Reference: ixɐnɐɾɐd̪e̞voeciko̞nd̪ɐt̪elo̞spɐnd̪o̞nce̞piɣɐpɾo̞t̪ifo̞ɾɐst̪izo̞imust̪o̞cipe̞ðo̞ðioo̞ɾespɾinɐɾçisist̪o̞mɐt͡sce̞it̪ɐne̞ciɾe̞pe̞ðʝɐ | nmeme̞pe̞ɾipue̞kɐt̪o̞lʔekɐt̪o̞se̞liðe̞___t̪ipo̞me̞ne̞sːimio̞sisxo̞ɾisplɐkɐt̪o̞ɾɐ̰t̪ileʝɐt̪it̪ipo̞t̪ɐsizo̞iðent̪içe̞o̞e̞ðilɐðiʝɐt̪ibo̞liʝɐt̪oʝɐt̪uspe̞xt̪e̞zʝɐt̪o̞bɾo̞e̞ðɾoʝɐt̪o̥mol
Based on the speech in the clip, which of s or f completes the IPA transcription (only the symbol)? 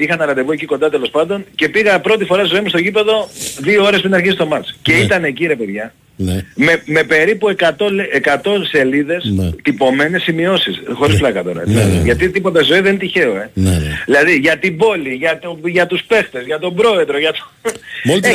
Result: s